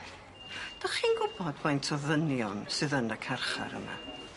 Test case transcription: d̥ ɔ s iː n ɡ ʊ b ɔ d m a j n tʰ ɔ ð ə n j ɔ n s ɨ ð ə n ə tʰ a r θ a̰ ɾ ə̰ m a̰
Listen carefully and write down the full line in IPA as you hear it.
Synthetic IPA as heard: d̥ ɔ χ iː n ɡ ʊ b ɔ d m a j n tʰ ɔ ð ə n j ɔ n s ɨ ð ə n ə kʰ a r χ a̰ ɾ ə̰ m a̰